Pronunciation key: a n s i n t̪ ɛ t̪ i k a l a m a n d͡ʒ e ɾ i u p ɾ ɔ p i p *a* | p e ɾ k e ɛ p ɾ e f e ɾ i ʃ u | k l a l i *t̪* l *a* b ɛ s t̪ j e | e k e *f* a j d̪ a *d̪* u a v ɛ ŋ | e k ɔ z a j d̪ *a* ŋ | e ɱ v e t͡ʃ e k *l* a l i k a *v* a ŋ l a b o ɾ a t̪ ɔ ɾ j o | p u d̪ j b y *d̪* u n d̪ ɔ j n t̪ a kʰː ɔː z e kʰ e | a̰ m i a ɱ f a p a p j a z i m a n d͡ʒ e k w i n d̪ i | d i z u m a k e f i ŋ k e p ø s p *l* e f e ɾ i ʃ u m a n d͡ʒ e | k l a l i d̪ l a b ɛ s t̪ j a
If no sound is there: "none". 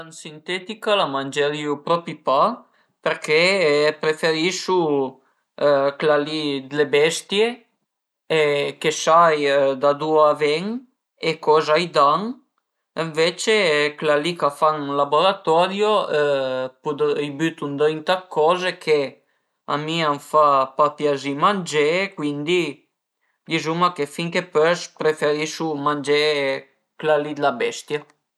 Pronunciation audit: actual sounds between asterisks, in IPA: a, d̪, e, s, d̪, a, l, f, t̪, ɾ

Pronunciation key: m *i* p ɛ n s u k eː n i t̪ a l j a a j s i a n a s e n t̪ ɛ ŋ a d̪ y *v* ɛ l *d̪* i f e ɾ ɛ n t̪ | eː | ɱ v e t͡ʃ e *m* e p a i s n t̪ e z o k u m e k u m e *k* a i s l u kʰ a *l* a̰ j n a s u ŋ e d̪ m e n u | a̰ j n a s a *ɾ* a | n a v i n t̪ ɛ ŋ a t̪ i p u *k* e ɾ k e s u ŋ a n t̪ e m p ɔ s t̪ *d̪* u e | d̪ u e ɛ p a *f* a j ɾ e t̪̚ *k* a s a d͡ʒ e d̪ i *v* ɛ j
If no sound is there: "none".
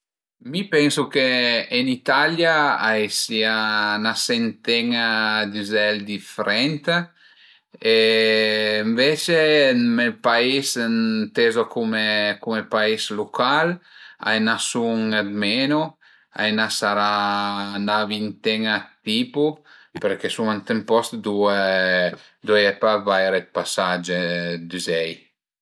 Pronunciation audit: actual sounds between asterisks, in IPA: i, z, d̪, m, p, l, ɾ, p, d̪, v, p, z

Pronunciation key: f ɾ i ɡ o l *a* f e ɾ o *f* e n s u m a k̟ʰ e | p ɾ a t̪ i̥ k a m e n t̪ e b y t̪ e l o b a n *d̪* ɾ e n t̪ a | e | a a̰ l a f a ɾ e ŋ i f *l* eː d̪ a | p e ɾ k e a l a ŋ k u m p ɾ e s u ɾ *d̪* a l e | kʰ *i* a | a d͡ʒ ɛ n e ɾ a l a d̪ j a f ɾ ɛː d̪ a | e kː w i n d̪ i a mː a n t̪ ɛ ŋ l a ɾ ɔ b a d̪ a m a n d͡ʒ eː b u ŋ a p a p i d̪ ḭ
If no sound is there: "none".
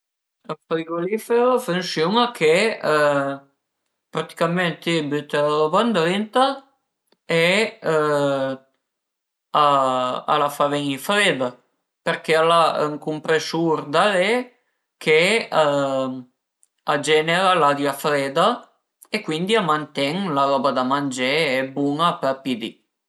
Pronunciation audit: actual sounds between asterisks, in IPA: i, f, d̪, ɾ, d̪, e

